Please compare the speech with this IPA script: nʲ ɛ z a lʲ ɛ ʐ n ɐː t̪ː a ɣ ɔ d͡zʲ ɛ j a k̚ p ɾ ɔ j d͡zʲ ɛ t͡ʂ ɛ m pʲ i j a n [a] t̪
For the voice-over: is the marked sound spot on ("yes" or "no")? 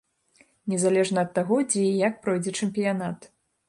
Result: yes